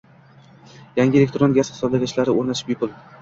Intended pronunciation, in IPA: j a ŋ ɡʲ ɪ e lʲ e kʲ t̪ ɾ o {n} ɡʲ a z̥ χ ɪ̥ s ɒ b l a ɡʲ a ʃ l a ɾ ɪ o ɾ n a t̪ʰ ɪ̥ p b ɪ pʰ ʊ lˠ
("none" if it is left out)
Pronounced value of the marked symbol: n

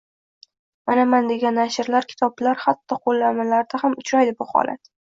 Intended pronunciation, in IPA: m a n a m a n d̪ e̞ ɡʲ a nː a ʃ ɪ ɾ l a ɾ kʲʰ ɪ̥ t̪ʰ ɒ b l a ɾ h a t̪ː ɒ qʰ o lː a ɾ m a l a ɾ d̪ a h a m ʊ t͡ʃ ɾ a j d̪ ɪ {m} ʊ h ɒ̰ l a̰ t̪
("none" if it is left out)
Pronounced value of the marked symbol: b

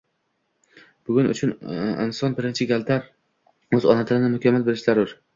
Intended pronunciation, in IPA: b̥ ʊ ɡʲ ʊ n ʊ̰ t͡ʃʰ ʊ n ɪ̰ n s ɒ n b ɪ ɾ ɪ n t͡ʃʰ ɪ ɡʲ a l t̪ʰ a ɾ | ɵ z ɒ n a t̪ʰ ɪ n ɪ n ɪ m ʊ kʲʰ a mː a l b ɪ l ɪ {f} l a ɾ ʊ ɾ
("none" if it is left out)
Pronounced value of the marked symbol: ʃ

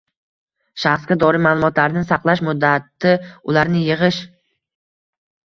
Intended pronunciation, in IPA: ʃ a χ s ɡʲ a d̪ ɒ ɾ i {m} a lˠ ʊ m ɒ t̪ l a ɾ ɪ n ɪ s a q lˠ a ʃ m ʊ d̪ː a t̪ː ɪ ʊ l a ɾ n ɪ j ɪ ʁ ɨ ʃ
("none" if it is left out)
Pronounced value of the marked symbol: m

